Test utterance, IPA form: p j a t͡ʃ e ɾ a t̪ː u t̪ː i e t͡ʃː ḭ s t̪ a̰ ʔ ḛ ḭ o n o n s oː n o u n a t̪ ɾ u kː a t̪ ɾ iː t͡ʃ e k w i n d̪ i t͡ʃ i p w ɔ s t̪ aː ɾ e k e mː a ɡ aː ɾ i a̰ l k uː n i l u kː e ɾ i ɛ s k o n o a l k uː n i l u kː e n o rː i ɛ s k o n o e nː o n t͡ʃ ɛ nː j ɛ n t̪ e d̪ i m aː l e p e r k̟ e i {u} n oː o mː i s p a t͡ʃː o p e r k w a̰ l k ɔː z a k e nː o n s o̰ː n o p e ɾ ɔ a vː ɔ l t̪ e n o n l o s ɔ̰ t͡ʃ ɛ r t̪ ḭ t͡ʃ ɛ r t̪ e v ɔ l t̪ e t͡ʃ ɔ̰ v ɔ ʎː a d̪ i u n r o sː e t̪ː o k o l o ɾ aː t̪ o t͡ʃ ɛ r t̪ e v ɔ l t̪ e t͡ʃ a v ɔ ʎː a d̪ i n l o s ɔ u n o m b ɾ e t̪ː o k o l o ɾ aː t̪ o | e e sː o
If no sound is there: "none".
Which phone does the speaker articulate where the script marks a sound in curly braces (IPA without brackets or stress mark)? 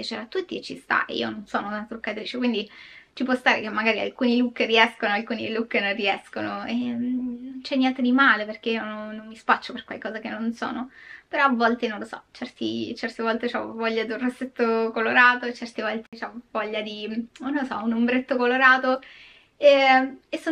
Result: o